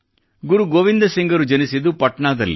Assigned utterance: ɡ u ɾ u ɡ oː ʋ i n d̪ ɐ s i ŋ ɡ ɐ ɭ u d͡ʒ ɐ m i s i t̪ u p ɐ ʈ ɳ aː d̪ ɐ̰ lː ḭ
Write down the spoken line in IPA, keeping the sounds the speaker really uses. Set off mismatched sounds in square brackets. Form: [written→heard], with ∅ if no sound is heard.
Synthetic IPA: ɡ u ɾ u ɡ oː ʋ i n d̪ ɐ s i ŋ ɡ ɐ [ɭ→ɾ] u d͡ʒ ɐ [m→n] i s i [t̪→d̪] u p ɐ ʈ ɳ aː d̪ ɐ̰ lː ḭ